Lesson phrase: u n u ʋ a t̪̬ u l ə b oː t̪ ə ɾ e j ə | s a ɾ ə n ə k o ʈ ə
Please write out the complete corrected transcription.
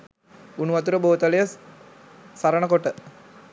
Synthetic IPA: u n u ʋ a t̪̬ u ɾ ə b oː t̪ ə l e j ə | s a ɾ ə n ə k o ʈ ə